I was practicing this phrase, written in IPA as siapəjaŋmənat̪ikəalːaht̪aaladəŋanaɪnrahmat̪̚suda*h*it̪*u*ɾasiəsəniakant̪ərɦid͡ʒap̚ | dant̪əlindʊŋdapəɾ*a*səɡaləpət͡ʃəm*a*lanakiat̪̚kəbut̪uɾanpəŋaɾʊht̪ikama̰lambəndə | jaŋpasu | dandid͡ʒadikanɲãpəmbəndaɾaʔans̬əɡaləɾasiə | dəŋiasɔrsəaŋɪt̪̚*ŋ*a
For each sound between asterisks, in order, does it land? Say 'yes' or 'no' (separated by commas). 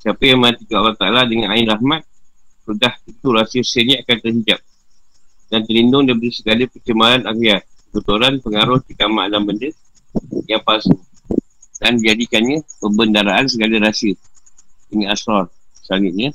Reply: yes, yes, no, yes, no